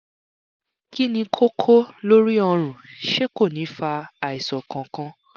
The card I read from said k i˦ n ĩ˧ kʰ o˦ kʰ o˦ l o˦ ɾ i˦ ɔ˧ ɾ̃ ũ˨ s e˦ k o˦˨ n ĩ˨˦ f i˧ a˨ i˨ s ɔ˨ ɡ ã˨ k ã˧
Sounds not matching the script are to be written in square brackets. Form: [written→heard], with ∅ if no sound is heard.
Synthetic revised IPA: k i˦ n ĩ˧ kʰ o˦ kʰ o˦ l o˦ ɾ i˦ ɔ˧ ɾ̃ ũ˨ [s→ʃ] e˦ k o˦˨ n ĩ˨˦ f [i˧→a˧] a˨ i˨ s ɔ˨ [ɡ→k] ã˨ k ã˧